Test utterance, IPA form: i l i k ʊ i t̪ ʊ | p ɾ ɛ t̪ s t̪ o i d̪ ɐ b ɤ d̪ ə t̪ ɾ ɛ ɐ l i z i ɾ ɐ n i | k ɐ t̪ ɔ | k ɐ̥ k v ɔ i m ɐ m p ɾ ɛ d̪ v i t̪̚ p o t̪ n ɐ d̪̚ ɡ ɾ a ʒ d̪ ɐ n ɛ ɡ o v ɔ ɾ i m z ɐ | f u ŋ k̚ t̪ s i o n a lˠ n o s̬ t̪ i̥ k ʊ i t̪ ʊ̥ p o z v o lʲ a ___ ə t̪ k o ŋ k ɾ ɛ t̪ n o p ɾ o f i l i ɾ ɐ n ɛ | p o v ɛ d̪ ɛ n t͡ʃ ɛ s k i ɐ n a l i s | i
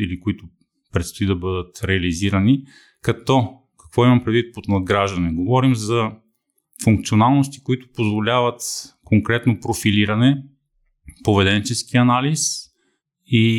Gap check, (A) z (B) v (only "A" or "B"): B